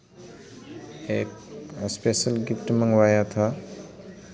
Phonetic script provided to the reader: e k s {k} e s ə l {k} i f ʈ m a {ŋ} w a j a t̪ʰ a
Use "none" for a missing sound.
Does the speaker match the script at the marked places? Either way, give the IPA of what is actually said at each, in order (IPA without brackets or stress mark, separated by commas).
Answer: p, ɡ, ŋ